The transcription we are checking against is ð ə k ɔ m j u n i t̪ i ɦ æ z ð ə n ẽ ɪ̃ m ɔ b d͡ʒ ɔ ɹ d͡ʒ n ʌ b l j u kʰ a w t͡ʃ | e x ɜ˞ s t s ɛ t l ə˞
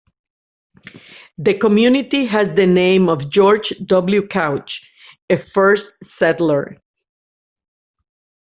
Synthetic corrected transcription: ð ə k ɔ m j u n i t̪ i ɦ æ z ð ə n ẽ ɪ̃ m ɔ v d͡ʒ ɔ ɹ d͡ʒ d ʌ b l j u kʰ a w t͡ʃ | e f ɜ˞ s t s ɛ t l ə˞